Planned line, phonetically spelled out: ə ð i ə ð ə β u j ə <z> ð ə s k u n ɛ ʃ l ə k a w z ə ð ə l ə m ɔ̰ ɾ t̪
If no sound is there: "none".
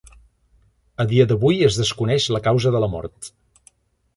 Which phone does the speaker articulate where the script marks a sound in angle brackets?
z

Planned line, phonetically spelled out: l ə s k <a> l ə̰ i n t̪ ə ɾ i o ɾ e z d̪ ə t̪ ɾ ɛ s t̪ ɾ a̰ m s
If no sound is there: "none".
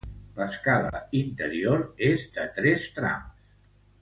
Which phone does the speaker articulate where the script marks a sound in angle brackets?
a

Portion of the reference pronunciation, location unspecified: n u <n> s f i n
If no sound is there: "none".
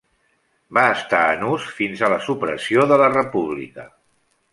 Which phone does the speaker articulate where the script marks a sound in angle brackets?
none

